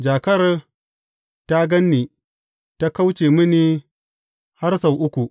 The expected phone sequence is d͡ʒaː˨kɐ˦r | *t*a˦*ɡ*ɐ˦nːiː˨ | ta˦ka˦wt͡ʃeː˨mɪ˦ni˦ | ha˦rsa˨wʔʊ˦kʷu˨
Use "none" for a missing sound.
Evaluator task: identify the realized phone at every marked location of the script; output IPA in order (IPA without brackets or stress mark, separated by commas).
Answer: t, ɡ